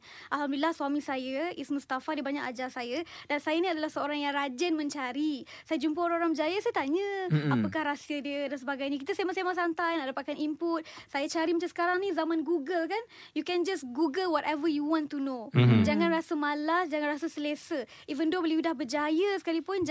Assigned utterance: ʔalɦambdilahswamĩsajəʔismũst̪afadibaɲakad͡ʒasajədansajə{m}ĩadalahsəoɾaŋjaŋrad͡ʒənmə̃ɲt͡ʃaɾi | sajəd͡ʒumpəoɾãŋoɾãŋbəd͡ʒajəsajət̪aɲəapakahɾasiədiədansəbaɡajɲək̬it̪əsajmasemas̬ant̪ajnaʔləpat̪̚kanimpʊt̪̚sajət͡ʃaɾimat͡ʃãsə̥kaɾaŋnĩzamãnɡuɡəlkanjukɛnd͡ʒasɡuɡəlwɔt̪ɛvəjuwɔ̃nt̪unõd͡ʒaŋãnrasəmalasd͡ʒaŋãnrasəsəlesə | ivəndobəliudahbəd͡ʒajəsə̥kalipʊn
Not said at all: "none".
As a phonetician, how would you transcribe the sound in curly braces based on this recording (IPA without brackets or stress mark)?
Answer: n